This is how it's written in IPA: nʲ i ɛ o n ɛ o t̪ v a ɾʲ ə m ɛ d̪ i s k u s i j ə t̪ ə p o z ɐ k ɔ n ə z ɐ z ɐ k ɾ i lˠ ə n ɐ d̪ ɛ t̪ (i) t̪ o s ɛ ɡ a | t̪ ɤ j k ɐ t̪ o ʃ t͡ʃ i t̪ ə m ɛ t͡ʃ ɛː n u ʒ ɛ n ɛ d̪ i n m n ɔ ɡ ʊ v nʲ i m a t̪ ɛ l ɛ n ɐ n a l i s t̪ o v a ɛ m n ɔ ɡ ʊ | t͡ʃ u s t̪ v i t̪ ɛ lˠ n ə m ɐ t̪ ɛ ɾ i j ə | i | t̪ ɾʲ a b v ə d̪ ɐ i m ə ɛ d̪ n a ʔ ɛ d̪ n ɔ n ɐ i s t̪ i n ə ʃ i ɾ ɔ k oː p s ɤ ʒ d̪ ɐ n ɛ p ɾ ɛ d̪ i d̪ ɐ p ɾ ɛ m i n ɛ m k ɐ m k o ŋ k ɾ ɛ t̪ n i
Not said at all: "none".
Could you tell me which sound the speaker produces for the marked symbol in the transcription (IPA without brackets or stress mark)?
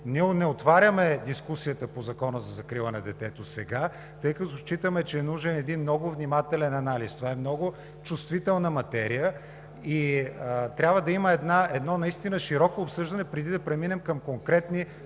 ɛ